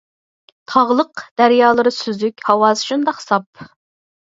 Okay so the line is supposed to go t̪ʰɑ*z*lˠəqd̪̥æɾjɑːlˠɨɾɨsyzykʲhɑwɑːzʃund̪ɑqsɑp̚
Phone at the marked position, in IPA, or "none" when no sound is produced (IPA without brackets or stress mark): ʁ